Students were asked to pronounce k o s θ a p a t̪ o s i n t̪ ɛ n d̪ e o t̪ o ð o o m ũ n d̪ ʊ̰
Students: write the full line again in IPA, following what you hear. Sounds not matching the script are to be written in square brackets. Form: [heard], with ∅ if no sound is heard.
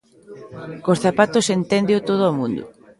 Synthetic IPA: k o s θ a p a t̪ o s [e] n t̪ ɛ n d̪ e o t̪ o ð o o m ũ n d̪ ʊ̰